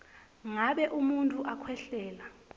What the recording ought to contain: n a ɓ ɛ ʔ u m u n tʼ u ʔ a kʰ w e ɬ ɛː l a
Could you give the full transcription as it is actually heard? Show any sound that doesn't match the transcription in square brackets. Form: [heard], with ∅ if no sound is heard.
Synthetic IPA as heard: [ŋ] a ɓ ɛ ʔ u m u n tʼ u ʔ a kʰ w [ɛ] ɬ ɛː l a